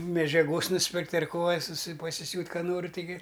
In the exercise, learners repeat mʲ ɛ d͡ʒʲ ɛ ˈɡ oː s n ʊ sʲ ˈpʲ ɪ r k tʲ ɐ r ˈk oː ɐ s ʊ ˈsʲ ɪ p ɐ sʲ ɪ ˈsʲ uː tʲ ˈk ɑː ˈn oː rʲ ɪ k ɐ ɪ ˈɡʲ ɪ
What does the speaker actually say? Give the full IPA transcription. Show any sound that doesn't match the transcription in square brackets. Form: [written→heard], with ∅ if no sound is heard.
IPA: mʲ ɛ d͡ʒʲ ɛ ˈɡ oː s n ʊ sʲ ˈpʲ ɪ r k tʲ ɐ r ˈk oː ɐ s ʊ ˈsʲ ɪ p ɐ sʲ ɪ ˈsʲ uː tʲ ˈk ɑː ˈn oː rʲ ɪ [k→t] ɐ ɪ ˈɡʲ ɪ